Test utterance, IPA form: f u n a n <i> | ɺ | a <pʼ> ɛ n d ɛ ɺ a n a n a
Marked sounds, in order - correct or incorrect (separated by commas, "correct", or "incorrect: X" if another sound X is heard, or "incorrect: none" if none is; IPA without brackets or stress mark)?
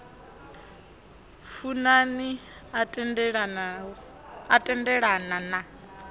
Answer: correct, incorrect: tʼ